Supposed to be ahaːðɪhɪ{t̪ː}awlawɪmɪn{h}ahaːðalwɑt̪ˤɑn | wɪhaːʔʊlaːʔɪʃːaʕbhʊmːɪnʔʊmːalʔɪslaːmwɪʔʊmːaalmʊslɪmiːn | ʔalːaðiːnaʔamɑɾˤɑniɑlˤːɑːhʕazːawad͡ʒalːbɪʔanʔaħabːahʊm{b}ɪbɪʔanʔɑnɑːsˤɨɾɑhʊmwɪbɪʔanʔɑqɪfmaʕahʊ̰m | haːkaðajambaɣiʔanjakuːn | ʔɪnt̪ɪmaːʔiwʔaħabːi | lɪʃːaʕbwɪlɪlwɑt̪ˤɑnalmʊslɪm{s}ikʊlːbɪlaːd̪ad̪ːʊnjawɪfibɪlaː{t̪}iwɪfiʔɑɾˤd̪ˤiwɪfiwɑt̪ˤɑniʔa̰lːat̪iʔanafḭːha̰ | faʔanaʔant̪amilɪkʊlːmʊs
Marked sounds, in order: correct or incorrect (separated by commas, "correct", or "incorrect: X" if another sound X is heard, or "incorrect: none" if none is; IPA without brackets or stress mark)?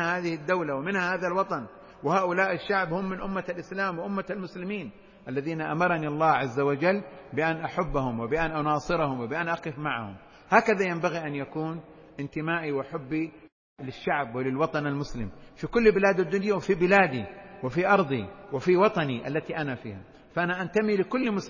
incorrect: d̪ː, correct, incorrect: w, incorrect: f, incorrect: d̪